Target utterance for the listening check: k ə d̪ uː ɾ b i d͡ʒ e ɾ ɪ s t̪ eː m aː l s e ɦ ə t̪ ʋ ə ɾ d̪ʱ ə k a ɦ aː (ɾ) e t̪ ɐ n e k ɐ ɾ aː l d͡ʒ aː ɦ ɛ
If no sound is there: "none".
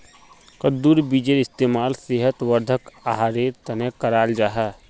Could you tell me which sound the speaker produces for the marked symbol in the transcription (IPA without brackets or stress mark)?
ɾ